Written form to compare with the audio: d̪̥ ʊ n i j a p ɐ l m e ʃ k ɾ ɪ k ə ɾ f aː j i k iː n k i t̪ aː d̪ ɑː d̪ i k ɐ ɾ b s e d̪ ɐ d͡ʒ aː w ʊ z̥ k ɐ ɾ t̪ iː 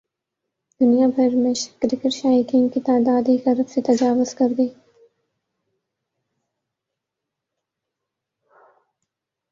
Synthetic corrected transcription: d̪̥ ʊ n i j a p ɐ ɾ m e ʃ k ɾ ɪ k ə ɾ ʃ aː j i k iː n k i t̪ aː d̪ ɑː d̪ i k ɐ ɾ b s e t̪ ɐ d͡ʒ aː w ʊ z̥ k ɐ ɾ d̪ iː